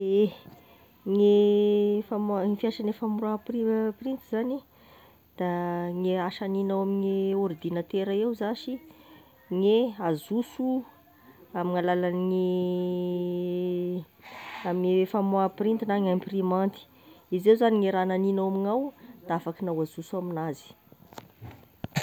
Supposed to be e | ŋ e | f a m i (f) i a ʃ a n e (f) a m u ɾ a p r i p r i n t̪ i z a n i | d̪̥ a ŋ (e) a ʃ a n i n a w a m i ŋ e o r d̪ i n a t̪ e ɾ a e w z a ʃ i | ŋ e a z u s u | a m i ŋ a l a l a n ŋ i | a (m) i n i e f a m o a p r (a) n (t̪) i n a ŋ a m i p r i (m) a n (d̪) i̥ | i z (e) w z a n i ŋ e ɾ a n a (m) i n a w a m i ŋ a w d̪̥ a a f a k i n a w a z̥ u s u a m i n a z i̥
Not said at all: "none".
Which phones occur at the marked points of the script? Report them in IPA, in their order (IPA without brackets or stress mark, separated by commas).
f, f, e, m, i, t̪, m, t̪, e, n